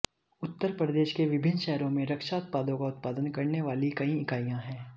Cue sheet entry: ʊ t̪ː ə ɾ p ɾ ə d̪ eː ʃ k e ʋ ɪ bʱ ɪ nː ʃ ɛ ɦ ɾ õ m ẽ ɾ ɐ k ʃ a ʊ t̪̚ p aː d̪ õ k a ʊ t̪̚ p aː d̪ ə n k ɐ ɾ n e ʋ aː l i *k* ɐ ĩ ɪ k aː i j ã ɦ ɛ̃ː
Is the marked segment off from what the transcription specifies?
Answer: no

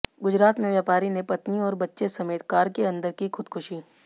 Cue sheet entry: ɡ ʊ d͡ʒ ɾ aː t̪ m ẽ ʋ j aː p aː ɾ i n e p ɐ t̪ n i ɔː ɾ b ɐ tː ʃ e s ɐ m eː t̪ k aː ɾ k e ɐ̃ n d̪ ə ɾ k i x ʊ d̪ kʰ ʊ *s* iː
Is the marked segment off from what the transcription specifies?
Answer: yes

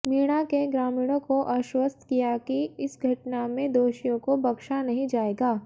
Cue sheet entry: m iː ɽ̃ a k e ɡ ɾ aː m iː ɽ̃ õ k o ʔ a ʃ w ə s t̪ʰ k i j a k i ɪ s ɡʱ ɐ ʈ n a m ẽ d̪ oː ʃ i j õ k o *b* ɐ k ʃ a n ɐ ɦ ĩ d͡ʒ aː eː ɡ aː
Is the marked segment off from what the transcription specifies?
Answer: no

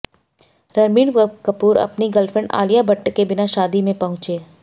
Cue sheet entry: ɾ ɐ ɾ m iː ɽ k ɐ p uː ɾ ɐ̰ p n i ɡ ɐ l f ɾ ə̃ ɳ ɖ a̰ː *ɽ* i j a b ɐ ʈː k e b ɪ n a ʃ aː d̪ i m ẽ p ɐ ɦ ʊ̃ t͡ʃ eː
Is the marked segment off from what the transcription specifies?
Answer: yes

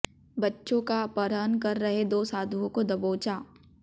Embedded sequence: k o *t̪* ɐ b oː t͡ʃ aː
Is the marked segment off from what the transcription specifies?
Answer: yes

